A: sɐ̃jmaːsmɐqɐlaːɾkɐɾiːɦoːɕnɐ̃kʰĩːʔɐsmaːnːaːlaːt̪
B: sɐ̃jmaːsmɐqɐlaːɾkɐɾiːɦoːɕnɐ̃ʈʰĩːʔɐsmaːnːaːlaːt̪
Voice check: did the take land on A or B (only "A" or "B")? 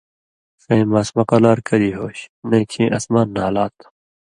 A